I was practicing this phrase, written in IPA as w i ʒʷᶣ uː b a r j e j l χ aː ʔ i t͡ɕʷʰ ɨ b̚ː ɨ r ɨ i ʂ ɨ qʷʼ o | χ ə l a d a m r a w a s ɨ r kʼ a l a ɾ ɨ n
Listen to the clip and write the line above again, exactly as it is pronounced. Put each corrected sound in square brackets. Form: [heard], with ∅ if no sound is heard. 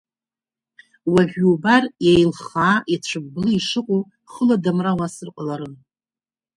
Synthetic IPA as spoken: w [a] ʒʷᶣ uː b a r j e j l χ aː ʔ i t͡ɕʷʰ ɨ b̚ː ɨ [l] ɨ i ʂ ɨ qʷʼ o | χ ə l a d a m r a w a s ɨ r [qʼ] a l a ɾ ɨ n